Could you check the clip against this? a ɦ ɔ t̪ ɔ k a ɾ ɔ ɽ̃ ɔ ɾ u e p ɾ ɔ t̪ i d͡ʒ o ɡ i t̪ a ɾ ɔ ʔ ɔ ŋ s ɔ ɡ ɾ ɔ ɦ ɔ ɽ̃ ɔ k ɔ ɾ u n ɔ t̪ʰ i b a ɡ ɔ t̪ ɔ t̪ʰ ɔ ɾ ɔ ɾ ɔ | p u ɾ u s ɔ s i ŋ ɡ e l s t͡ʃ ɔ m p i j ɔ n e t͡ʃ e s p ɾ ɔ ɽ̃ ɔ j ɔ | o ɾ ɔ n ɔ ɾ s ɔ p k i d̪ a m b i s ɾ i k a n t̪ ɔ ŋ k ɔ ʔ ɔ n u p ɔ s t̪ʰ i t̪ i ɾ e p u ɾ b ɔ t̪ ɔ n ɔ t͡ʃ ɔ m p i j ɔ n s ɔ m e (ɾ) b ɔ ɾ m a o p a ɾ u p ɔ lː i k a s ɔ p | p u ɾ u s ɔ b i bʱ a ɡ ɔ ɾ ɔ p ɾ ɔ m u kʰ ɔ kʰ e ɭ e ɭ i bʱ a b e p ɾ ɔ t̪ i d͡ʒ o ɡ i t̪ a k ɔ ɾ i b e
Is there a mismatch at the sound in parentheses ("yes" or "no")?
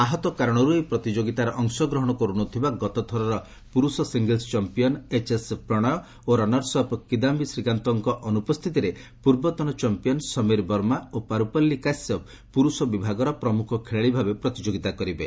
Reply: no